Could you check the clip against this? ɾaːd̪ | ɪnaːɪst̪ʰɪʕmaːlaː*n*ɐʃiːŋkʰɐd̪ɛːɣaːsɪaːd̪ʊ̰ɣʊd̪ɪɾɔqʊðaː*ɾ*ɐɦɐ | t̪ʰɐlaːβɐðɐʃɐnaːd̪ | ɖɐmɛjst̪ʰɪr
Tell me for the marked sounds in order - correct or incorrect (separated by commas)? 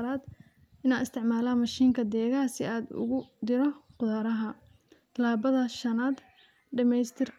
incorrect, correct